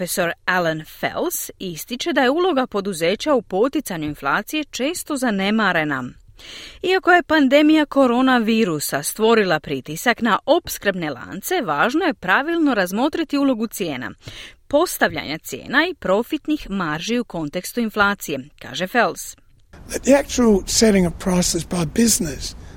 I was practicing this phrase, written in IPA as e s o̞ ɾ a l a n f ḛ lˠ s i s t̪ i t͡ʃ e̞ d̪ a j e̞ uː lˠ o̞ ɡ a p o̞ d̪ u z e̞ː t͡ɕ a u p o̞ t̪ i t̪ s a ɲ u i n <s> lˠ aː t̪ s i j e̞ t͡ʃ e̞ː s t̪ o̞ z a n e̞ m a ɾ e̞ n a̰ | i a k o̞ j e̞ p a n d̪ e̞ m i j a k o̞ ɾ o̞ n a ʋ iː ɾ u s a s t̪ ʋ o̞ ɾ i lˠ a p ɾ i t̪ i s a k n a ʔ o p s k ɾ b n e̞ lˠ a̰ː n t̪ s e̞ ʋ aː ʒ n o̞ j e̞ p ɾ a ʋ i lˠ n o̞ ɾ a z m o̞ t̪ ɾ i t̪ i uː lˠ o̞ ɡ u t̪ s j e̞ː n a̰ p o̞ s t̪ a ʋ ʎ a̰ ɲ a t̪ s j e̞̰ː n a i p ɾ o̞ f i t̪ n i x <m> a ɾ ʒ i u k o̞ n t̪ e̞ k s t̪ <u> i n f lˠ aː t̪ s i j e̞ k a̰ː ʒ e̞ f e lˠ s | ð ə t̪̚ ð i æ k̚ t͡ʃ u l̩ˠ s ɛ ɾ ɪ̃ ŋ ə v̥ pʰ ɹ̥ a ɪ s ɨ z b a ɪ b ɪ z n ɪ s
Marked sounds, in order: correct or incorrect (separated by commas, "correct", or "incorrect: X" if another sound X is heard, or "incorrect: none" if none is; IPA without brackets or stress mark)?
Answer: incorrect: f, correct, correct